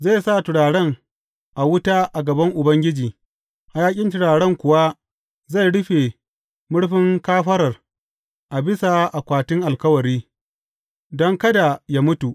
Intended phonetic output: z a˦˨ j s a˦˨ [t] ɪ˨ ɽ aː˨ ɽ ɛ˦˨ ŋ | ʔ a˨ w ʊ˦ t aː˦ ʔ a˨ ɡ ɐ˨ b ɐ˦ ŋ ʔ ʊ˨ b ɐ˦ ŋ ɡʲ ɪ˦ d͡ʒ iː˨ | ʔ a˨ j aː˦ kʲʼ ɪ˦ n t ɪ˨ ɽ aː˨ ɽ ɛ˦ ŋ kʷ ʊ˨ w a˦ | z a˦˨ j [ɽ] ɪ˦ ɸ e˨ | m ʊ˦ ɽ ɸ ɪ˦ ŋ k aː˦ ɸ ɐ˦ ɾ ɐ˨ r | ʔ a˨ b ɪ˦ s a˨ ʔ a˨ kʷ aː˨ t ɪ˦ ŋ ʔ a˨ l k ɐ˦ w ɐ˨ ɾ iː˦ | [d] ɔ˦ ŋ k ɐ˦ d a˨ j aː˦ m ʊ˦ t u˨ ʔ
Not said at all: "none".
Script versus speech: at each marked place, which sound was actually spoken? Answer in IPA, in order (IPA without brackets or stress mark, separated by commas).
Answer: t, ɽ, d